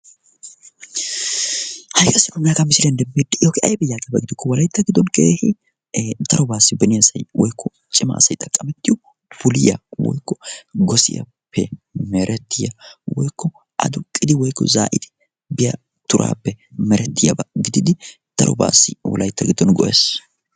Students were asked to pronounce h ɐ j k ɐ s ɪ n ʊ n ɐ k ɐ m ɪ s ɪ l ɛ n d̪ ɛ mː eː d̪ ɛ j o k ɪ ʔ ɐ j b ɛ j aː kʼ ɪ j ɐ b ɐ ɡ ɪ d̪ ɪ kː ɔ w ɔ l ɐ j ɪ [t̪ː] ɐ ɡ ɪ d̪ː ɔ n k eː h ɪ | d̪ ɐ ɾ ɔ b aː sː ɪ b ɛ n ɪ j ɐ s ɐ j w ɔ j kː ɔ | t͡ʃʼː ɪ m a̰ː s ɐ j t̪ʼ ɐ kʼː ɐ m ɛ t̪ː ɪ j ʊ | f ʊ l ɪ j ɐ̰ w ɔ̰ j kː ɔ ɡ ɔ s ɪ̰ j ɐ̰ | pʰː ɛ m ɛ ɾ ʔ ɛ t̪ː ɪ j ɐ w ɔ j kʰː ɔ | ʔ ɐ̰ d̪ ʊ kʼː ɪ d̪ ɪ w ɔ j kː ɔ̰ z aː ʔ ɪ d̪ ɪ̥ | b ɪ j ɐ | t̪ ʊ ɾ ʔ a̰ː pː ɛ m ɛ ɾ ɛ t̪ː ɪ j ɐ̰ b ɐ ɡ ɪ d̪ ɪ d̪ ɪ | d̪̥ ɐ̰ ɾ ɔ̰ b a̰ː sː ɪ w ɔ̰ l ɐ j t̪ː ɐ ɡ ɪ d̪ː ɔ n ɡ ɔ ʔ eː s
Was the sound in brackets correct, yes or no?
yes